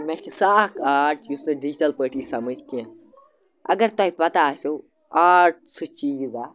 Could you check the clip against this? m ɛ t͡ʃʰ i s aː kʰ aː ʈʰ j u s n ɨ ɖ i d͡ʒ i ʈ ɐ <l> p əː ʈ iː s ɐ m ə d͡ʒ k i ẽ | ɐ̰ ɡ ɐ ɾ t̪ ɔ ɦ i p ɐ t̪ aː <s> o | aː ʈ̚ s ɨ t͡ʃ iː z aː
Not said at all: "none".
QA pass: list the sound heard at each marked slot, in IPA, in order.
l, s

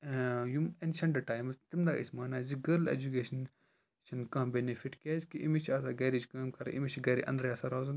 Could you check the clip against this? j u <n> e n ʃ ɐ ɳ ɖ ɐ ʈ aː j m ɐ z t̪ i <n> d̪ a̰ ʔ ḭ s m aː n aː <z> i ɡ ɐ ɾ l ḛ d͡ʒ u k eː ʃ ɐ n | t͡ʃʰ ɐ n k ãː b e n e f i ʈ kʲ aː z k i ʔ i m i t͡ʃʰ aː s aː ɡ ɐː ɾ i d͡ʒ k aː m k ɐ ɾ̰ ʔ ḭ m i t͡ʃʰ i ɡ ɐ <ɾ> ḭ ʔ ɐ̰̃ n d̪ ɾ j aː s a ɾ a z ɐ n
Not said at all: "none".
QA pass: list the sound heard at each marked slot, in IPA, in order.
m, m, z, ɾ

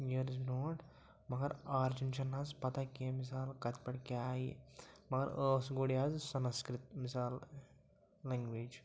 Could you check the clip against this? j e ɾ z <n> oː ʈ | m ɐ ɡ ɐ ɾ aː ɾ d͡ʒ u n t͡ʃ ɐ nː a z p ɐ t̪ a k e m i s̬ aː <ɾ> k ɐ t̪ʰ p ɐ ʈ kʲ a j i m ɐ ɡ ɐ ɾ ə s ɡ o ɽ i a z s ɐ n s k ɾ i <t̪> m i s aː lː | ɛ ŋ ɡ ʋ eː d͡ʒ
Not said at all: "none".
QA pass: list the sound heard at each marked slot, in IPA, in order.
n, l, t̪

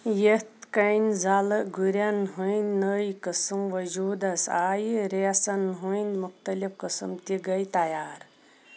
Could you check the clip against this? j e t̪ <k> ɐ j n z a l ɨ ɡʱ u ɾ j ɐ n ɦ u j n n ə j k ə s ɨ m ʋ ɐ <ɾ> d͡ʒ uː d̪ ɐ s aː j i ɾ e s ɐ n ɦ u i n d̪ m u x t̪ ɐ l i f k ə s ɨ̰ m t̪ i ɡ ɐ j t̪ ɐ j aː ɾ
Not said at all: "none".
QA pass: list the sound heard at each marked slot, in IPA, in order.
k, none

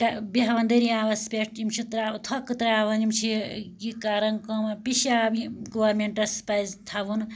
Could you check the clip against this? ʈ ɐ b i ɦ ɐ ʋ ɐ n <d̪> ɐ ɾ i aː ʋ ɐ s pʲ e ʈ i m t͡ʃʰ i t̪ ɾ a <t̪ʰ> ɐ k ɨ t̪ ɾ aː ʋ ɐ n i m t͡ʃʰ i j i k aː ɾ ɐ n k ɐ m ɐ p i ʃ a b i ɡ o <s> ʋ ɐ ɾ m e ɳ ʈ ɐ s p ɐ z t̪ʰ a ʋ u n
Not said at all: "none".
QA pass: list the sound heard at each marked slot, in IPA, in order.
d̪, t̪ʰ, none

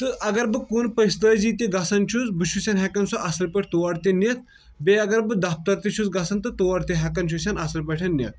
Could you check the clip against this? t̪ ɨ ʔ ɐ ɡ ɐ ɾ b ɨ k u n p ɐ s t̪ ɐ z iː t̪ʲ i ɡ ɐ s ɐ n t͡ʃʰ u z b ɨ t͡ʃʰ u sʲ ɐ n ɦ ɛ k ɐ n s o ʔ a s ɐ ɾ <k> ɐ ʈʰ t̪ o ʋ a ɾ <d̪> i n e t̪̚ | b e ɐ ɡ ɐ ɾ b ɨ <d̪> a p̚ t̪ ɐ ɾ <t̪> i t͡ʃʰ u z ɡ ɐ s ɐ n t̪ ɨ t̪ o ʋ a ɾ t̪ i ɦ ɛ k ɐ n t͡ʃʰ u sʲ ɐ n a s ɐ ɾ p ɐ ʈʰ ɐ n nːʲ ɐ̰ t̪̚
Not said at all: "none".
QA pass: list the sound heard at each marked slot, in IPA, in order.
p, t̪, d̪, t̪

